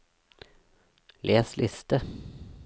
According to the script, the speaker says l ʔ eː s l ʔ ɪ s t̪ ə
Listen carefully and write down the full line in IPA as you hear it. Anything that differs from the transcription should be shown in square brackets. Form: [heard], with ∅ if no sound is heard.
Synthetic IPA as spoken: l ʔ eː s l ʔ ɪ s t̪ ə